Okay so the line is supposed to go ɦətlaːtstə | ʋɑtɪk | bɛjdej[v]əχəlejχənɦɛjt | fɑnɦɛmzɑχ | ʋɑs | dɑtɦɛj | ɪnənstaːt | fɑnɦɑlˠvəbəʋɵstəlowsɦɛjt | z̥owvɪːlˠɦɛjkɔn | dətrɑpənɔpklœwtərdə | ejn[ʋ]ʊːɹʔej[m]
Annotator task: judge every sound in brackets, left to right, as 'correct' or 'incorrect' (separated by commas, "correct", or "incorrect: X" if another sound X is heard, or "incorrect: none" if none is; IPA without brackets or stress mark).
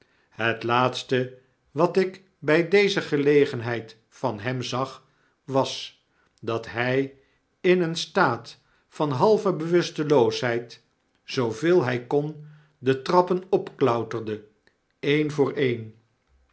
incorrect: z, incorrect: v, incorrect: n